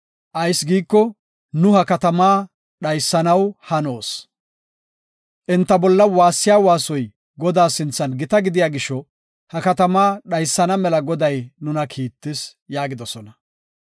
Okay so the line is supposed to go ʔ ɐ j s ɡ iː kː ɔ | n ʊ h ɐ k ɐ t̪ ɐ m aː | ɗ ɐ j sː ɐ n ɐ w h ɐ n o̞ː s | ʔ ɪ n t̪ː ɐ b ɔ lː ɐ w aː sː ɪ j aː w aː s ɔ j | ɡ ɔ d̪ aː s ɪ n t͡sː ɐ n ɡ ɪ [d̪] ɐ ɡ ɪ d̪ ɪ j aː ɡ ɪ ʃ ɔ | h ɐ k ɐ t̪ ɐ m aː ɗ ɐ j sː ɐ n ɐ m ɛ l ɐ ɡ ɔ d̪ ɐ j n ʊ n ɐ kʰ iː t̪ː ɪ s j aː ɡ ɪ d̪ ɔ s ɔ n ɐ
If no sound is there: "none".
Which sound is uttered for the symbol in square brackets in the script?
t̪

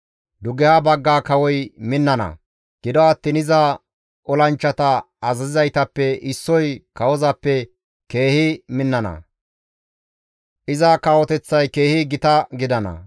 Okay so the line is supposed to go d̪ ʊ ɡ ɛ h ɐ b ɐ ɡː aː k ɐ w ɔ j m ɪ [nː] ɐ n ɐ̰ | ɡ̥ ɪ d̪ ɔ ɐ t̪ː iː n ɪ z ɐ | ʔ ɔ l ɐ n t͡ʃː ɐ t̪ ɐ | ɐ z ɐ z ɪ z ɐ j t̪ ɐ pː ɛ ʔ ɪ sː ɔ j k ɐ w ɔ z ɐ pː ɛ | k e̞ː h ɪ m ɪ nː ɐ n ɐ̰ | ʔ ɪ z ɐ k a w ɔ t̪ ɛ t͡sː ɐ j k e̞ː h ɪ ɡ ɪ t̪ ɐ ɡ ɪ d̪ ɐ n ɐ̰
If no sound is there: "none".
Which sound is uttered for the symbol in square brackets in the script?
nː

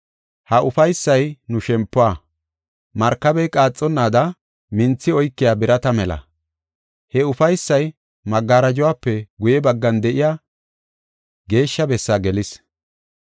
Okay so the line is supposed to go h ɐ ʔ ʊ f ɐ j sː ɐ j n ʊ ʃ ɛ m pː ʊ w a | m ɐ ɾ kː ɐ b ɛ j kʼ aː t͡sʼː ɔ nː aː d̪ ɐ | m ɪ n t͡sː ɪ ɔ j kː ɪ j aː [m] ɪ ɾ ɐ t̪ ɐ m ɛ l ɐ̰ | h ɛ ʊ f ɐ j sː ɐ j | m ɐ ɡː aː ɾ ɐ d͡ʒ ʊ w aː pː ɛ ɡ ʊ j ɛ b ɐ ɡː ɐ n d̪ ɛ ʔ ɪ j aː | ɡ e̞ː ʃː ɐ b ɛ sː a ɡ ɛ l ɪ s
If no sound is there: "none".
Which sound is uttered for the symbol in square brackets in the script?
b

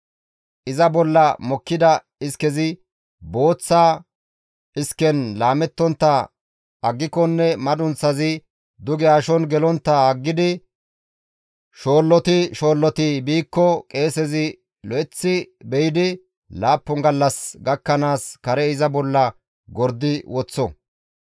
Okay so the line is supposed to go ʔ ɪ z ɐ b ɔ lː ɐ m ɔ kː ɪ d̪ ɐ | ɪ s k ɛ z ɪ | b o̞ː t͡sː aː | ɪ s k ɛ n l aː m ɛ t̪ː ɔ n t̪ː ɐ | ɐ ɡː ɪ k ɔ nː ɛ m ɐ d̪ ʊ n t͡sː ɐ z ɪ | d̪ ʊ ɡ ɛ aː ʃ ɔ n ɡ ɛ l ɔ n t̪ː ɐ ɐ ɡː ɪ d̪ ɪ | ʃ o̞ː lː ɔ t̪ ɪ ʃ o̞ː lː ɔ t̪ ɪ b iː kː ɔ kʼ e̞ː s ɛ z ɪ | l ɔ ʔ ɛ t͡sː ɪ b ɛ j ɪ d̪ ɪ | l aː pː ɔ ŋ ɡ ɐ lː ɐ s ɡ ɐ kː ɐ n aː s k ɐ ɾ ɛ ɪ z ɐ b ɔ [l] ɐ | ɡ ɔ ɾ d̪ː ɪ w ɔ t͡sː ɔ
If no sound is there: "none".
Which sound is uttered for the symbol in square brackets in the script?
lː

